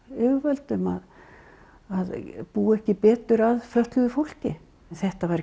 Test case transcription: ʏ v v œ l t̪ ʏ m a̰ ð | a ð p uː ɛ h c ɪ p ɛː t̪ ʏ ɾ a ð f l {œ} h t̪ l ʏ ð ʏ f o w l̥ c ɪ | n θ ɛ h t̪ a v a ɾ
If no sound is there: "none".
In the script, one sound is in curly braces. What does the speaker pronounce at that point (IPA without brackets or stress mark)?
œ